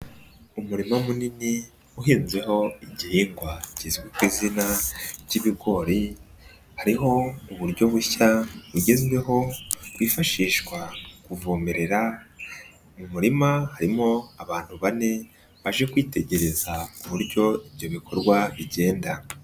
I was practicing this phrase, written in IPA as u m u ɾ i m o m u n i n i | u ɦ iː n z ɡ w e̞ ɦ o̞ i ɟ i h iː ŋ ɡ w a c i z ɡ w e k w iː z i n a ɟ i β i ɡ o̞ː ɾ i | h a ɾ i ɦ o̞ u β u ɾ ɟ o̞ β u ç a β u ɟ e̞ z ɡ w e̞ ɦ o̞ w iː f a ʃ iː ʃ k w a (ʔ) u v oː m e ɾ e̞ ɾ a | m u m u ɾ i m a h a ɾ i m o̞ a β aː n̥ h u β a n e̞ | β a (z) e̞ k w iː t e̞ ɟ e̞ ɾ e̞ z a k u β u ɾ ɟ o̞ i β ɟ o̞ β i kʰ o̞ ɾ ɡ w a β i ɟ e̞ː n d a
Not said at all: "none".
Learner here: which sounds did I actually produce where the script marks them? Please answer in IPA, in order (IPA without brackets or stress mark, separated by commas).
k, ʒ